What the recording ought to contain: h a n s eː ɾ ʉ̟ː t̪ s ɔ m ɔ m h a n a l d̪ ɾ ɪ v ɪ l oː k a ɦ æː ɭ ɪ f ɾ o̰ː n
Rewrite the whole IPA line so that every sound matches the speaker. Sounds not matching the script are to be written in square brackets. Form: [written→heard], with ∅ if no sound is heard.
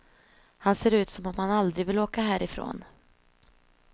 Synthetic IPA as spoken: h a n s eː ɾ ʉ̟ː t̪ s ɔ m ɔ m h a n a l d̪ ɾ ɪ v ɪ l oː k a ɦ æː [ɭ→ɾ] ɪ f ɾ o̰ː n